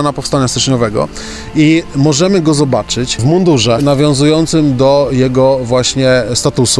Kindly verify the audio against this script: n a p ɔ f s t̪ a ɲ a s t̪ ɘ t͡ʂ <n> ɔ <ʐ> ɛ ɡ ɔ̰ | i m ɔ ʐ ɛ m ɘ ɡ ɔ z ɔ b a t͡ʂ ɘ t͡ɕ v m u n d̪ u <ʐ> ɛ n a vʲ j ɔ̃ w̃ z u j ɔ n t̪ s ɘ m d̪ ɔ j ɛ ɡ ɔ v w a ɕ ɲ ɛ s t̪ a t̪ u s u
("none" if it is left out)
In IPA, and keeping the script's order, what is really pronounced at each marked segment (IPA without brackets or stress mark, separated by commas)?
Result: ɲ, v, ʐ